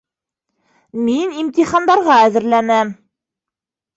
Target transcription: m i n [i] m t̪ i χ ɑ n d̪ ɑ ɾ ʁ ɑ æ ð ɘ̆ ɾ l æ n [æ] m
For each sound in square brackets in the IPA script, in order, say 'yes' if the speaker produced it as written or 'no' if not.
yes, yes

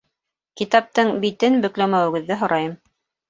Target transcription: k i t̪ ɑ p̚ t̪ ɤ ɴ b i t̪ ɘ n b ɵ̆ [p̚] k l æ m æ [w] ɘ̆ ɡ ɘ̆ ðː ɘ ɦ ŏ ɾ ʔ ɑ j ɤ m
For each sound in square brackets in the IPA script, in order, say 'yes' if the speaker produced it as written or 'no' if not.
no, yes

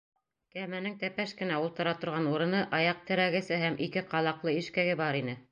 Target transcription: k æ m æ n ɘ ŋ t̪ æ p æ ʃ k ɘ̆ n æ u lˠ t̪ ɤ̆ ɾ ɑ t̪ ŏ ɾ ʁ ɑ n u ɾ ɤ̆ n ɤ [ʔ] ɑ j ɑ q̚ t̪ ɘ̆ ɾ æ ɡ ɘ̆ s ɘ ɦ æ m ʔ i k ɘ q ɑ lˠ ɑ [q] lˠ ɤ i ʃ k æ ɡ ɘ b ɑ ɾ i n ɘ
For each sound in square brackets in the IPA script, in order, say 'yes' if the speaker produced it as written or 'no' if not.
yes, yes

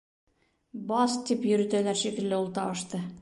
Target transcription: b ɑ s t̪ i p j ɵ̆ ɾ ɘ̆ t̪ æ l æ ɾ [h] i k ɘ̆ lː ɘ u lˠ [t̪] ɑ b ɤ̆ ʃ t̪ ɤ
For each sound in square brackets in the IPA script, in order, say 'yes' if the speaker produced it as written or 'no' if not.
no, yes

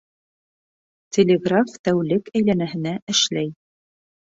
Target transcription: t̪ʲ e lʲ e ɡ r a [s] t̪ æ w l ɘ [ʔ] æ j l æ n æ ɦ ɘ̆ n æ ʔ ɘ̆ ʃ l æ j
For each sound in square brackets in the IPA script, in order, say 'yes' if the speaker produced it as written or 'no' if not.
no, no

